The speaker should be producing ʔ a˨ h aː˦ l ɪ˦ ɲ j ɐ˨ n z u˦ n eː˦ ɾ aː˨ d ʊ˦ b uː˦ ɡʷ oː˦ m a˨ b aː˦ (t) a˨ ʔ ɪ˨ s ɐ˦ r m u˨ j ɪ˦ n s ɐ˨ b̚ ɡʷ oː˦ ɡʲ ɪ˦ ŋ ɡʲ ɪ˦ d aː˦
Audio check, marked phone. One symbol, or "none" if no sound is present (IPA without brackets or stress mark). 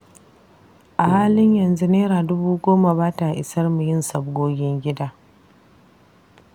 t